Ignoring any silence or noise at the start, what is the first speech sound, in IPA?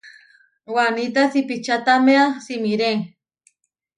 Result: w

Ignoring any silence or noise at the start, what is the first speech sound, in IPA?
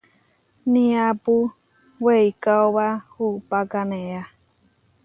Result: n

